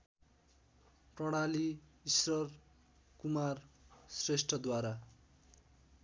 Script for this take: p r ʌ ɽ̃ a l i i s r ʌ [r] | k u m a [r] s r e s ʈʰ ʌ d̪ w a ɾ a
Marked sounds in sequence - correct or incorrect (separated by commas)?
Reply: correct, correct